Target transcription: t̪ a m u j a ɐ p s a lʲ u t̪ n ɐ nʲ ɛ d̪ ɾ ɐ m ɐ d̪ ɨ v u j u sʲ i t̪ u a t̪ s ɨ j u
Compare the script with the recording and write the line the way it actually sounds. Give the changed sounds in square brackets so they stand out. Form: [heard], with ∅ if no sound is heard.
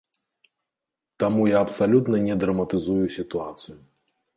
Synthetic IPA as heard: t̪ a m u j a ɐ p s a lʲ u t̪ n ɐ nʲ ɛ d̪ ɾ ɐ m ɐ [t̪] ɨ [z] u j u sʲ i t̪ u a t̪ s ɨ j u